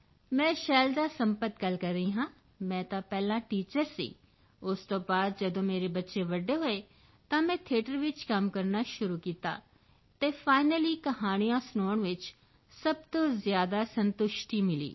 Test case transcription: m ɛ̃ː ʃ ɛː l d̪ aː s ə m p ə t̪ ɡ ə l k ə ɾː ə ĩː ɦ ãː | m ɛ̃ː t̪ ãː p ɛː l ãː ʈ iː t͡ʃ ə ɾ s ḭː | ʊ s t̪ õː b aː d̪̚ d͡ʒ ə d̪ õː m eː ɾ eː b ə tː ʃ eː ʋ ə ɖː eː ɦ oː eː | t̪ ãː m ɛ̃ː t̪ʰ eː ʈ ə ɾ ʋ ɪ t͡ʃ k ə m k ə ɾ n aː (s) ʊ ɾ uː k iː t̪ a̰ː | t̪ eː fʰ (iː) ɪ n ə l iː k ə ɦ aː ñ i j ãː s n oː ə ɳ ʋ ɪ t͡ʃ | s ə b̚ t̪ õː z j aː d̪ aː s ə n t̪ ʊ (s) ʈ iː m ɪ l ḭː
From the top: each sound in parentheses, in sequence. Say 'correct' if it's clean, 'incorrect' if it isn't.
incorrect, incorrect, incorrect

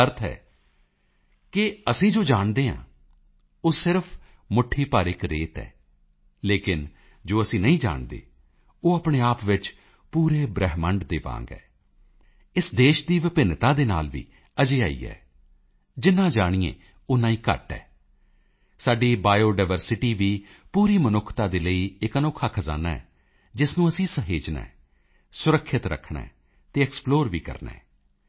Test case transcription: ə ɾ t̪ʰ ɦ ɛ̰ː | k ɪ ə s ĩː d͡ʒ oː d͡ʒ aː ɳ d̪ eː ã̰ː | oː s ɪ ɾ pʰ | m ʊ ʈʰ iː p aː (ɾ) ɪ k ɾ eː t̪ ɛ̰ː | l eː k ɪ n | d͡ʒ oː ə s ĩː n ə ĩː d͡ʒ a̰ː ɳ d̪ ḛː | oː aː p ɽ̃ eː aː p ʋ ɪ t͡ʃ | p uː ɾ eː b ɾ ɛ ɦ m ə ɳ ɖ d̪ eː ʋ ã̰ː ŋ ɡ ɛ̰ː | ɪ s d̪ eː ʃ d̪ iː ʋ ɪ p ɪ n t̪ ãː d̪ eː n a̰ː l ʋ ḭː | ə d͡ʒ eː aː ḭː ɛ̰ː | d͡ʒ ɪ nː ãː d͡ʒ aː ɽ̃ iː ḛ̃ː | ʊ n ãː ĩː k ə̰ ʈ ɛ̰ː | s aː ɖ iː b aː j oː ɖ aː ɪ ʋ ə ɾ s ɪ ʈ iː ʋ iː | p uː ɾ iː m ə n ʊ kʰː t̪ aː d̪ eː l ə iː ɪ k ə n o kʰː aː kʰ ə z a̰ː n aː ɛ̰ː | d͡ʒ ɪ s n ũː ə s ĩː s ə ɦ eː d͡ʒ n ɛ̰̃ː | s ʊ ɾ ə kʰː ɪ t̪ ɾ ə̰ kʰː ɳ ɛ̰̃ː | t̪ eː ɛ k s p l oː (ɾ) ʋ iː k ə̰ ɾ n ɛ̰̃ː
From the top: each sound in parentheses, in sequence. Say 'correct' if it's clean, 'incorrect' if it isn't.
correct, correct

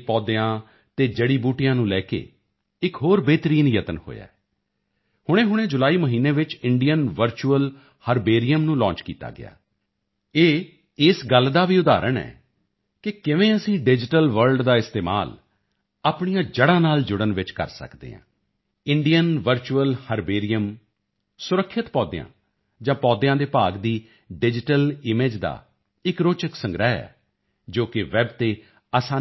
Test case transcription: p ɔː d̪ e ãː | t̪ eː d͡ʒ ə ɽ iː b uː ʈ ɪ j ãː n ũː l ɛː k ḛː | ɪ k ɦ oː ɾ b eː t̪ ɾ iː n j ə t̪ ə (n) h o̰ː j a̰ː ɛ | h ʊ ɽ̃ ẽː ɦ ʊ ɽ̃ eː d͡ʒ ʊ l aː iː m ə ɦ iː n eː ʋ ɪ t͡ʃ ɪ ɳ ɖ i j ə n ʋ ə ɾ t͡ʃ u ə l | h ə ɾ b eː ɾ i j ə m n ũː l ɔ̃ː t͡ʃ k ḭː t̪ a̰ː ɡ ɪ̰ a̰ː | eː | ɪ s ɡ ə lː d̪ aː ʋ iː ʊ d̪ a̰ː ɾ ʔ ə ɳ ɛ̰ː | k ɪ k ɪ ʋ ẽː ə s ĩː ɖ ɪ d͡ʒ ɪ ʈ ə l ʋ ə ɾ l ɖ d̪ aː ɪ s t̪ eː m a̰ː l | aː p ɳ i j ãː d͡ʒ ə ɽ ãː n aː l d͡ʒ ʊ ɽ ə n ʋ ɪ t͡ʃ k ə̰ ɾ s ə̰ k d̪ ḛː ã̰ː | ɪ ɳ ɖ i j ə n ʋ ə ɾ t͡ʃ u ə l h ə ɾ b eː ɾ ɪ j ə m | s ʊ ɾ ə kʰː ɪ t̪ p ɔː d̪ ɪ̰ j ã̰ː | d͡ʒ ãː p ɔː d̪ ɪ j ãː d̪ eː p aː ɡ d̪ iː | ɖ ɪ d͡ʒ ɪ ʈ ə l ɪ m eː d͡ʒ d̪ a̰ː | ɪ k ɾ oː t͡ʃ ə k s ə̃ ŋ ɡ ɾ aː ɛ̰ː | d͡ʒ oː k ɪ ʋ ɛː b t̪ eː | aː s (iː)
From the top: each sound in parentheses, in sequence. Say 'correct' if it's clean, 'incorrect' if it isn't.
correct, incorrect

